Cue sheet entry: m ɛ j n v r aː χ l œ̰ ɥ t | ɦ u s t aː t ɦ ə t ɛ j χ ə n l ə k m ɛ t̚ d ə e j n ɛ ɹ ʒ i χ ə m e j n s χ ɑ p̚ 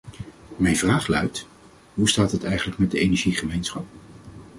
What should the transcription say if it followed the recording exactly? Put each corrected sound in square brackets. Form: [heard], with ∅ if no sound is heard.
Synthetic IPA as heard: m ɛ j n v r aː χ l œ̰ ɥ t | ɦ u s t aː t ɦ ə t ɛ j χ ə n l ə k m ɛ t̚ d ə e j n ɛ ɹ ʒ i χ ə m e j n s χ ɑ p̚